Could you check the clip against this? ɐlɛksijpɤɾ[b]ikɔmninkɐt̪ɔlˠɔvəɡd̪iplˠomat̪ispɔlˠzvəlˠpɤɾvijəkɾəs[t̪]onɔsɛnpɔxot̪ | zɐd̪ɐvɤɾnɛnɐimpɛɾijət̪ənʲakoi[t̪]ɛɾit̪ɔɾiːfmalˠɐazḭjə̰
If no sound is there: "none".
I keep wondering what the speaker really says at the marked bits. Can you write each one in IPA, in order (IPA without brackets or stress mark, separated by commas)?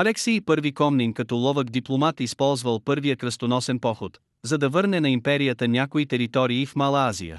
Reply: v, t̪, t̪